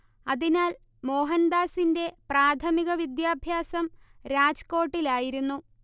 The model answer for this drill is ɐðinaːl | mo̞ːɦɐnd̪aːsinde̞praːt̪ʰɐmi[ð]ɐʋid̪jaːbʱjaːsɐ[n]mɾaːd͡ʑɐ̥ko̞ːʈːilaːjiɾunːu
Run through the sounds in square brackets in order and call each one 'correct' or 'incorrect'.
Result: incorrect, incorrect

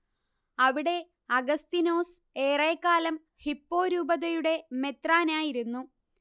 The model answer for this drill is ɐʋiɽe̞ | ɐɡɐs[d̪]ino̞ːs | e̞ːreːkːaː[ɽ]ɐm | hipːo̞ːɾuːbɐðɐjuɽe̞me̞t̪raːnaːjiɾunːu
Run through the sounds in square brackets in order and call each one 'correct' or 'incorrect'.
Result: incorrect, incorrect

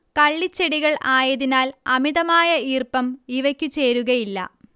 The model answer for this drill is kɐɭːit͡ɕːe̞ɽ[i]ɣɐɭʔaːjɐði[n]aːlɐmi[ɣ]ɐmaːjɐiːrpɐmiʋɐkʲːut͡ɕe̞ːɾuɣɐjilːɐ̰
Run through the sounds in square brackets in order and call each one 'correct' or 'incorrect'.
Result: correct, correct, incorrect

